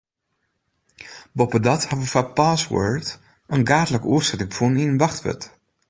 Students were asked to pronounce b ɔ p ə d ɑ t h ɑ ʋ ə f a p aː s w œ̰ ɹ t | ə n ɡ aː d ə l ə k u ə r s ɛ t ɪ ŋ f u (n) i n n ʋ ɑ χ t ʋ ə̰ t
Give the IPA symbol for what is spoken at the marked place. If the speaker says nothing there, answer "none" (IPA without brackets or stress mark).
n